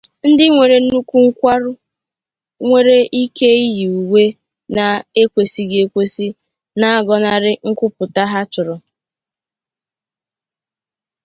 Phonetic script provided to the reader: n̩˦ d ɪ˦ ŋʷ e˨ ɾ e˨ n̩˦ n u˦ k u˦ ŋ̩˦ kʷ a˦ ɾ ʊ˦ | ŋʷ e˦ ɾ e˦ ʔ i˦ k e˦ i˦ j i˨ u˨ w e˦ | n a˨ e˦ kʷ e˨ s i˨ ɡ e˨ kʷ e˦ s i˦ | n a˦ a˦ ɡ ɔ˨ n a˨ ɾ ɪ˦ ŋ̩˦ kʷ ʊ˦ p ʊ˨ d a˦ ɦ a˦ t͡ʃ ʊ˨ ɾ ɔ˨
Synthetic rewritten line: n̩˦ d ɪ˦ ŋʷ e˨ ɾ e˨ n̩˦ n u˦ k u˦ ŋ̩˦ kʷ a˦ ɾ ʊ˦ | ŋʷ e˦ ɾ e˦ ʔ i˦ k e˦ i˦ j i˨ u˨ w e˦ | n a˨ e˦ kʷ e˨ s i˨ ɡ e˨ kʷ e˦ s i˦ | n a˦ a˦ ɡ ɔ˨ n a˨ ɾ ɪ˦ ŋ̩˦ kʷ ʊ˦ p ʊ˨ t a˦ ɦ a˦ t͡ʃ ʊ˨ ɾ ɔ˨